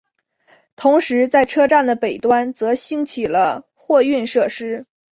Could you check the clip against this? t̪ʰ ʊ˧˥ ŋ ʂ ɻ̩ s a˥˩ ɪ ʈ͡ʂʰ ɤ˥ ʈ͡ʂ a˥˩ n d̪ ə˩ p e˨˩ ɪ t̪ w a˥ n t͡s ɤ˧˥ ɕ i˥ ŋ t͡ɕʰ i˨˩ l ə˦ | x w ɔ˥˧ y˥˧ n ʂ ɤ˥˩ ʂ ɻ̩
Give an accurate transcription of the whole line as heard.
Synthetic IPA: t̪ʰ ʊ˧˥ ŋ ʂ ɻ̩ t͡s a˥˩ ɪ ʈ͡ʂʰ ɤ˥ ʈ͡ʂ a˥˩ n d̪ ə˩ p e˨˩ ɪ t̪ w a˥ n t͡s ɤ˧˥ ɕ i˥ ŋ t͡ɕʰ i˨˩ l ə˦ | x w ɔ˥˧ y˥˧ n ʂ ɤ˥˩ ʂ ɻ̩

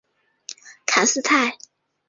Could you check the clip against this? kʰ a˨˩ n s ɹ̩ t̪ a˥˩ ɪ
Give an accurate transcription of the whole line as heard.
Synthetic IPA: kʰ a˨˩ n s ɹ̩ t̪ʰ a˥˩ ɪ

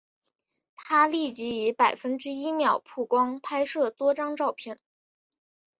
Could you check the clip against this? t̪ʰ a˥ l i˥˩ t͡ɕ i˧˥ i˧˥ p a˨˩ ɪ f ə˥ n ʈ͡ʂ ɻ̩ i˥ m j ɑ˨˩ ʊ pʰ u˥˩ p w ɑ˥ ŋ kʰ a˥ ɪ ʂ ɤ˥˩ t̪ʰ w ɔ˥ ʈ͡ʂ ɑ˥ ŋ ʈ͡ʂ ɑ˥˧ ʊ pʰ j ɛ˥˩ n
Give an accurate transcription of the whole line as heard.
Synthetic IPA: t̪ʰ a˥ l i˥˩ t͡ɕ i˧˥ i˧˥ p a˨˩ ɪ f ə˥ n ʈ͡ʂ ɻ̩ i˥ m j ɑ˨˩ ʊ pʰ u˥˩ k w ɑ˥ ŋ pʰ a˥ ɪ ʂ ɤ˥˩ t̪ w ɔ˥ ʈ͡ʂ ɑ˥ ŋ ʈ͡ʂ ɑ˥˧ ʊ pʰ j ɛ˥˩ n

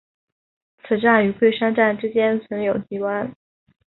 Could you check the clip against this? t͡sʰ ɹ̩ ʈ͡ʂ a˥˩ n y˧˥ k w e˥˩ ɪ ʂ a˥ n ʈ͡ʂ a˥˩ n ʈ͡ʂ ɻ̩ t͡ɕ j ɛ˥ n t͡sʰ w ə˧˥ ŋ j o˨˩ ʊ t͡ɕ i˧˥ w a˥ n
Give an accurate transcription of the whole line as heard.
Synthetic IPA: t͡sʰ ɹ̩ ʈ͡ʂ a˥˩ n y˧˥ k w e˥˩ ɪ ʂ a˥ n ʈ͡ʂ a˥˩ n ʈ͡ʂ ɻ̩ t͡ɕ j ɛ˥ n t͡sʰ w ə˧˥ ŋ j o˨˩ ʊ t͡ɕ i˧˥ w a˥ n

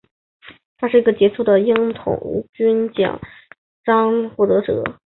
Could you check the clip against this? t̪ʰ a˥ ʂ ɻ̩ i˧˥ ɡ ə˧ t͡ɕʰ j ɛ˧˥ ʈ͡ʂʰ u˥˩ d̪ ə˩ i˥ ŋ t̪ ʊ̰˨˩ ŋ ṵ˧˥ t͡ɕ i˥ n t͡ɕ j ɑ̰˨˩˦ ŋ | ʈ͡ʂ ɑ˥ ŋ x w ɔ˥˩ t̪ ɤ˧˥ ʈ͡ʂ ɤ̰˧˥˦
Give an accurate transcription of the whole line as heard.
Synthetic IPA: t̪ʰ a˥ ʂ ɻ̩ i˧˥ ɡ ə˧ t͡ɕ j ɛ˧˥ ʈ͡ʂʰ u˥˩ d̪ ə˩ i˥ ŋ t̪ʰ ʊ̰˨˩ ŋ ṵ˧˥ t͡ɕ y˥ n t͡ɕ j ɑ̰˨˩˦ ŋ | ʈ͡ʂ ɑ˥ ŋ x w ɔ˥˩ t̪ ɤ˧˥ ʈ͡ʂ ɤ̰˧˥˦

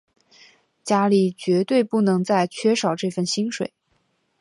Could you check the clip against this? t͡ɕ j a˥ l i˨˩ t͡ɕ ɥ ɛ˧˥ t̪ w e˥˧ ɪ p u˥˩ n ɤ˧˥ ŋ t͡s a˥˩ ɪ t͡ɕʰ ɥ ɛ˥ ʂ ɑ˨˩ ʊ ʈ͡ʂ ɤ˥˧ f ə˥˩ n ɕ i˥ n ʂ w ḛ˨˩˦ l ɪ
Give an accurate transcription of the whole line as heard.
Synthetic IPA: t͡ɕ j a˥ l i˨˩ t͡ɕ ɥ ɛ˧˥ t̪ w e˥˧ ɪ p u˥˩ n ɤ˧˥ ŋ t͡s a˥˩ ɪ t͡ɕʰ ɥ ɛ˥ ʂ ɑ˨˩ ʊ ʈ͡ʂ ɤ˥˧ f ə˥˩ n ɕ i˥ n ʂ w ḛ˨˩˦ ɪ

